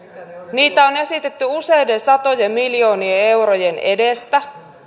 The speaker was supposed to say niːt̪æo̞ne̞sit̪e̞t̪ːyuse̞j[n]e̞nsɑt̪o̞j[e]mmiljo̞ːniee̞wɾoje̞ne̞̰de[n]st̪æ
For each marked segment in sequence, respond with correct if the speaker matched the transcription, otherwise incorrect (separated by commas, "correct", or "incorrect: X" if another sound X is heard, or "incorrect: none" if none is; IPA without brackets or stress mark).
incorrect: d, correct, incorrect: none